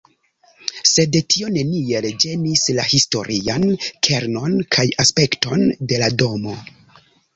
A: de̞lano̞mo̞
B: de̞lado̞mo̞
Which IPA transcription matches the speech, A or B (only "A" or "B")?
B